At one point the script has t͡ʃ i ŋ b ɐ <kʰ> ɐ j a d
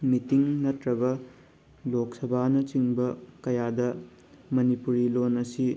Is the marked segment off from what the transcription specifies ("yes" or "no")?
yes